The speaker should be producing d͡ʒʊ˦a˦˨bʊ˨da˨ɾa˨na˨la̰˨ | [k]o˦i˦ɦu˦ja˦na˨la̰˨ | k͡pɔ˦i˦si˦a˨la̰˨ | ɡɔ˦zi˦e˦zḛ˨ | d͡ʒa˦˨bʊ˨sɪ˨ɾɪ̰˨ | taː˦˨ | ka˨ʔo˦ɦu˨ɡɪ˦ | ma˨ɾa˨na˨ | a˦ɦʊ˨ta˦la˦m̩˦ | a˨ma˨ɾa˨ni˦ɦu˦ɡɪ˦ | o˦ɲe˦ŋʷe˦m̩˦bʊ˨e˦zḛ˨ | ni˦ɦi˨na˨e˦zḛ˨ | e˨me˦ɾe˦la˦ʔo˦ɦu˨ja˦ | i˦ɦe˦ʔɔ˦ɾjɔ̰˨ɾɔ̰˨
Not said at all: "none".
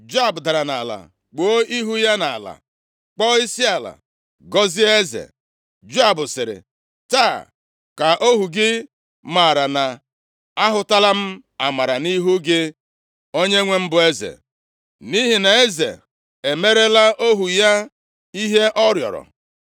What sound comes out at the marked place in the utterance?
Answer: k͡p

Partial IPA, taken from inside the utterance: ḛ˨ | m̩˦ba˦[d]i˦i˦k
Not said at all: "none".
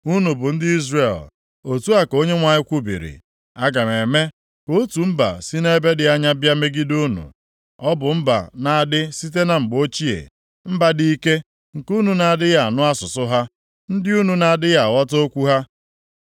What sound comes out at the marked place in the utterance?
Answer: d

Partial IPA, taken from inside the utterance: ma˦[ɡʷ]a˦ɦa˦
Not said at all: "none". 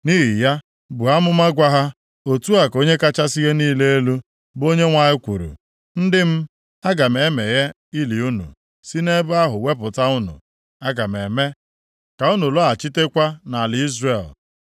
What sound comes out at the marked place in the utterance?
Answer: ɡʷ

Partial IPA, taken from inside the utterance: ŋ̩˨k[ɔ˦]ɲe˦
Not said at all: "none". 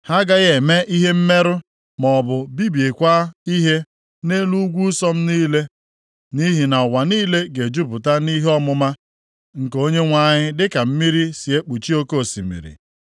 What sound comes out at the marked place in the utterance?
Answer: o˦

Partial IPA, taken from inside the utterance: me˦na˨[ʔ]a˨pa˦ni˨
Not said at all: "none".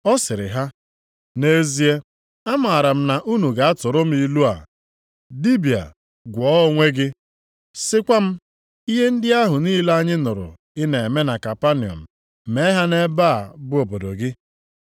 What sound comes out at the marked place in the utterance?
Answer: k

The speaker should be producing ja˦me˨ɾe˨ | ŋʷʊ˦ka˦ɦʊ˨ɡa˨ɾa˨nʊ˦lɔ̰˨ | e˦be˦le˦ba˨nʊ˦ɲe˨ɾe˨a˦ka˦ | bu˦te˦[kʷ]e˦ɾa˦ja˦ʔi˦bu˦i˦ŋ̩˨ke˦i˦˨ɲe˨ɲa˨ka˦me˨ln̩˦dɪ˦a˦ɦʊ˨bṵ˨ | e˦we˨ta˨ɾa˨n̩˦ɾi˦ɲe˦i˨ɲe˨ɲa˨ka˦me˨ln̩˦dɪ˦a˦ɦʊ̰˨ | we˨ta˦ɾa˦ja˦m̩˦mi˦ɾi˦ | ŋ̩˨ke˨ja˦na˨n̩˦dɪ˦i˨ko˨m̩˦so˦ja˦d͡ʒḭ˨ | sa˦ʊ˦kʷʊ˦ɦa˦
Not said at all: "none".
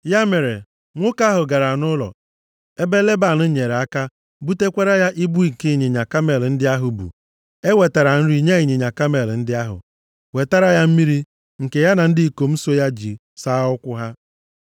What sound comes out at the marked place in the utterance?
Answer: kʷ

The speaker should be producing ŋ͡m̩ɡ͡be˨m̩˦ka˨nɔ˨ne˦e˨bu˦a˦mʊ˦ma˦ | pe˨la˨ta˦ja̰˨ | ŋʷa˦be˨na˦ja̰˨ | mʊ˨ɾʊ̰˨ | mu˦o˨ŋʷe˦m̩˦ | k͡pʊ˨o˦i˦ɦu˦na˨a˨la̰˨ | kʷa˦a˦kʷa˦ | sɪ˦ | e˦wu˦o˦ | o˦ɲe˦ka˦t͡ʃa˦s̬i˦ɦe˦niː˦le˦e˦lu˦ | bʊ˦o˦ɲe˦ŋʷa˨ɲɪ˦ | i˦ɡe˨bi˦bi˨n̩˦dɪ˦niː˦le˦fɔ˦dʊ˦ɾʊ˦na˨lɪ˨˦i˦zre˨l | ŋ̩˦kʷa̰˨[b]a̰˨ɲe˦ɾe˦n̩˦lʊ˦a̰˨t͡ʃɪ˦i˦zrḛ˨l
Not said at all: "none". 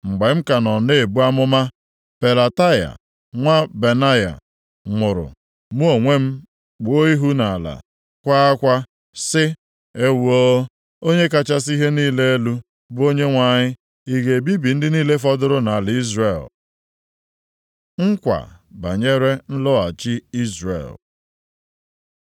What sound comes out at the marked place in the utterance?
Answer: b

